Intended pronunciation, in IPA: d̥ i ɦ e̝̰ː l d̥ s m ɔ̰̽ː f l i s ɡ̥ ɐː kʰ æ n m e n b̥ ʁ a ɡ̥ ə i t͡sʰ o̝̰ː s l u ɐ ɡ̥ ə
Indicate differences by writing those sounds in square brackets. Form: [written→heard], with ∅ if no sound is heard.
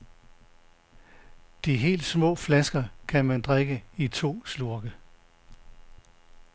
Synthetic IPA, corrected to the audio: d̥ i ɦ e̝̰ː l d̥ s m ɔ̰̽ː f l [i→æ] s ɡ̥ [ɐː→ɐ] kʰ æ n m [e→æ] n [b̥→d̥] ʁ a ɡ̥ ə i t͡sʰ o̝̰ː s l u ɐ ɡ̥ ə